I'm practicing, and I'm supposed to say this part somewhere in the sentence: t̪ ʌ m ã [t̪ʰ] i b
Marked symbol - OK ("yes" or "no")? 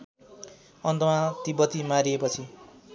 no